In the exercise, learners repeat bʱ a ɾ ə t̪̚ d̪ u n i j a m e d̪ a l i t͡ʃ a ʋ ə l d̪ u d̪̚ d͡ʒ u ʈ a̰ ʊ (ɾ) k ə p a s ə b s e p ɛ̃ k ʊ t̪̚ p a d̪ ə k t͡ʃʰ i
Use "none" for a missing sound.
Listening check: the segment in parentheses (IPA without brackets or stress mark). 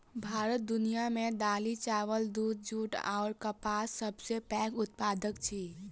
ɾ